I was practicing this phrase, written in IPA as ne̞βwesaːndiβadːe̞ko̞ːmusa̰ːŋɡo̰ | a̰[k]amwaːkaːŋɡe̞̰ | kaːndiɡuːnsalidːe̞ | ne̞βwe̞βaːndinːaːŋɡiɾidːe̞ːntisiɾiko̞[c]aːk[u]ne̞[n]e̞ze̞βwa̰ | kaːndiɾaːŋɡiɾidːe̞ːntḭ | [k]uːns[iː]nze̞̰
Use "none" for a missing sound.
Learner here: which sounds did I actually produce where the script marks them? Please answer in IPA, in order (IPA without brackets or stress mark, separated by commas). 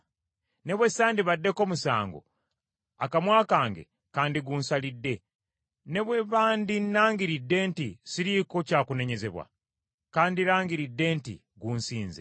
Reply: k, c, u, ɲ, ɡ, iː